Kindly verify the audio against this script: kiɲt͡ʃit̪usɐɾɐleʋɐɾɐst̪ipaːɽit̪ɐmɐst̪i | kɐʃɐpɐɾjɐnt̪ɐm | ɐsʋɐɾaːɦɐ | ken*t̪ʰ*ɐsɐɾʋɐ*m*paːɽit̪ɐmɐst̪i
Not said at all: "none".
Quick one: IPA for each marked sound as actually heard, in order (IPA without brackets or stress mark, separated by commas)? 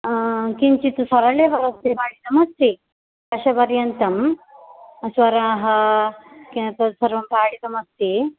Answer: t̪, m